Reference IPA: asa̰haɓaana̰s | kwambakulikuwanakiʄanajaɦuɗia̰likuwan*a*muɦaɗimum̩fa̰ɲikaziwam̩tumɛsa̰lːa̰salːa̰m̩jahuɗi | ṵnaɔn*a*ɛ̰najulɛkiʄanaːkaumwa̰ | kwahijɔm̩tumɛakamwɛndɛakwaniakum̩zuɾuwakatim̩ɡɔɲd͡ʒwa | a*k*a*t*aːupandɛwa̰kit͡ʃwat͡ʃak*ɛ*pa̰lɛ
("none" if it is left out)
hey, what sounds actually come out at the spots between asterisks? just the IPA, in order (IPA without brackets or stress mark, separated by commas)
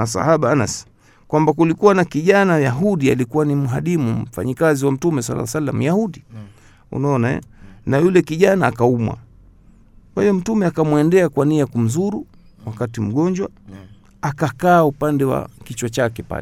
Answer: i, a, k, k, ɛ